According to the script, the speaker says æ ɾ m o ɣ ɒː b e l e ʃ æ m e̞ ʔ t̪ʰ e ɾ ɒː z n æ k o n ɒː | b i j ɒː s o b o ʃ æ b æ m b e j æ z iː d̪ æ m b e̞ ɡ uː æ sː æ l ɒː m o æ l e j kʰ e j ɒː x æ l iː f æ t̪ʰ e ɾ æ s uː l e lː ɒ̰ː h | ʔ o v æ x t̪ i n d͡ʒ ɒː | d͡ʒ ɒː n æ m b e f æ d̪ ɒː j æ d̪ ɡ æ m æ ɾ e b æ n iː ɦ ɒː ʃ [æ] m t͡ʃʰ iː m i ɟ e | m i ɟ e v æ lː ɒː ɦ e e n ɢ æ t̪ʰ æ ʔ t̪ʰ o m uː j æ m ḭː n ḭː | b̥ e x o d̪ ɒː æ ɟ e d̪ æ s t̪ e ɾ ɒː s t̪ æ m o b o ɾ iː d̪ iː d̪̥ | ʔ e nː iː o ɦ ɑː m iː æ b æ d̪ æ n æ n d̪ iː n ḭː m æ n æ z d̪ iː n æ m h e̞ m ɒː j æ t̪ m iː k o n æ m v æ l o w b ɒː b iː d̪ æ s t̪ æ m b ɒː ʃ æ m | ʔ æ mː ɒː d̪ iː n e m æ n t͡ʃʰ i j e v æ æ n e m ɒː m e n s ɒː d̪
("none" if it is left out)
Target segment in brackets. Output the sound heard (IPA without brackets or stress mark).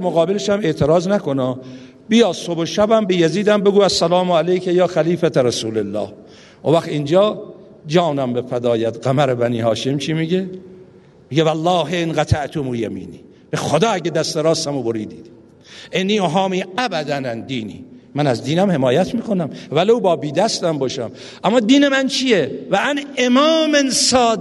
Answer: e